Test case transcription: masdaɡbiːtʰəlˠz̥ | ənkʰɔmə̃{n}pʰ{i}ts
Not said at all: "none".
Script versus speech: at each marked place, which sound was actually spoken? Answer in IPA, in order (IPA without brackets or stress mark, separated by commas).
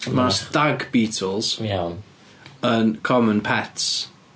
n, ɛ